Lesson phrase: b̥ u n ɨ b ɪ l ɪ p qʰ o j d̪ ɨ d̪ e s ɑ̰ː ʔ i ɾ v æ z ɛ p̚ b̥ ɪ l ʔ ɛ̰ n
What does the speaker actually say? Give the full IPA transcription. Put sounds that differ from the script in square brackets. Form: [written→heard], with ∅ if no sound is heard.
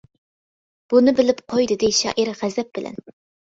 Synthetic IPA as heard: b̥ u n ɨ b ɪ l ɪ p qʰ o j d̪ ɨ d̪ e [s→ʃ] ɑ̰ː ʔ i ɾ [v→ʁ] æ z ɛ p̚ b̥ ɪ l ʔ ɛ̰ n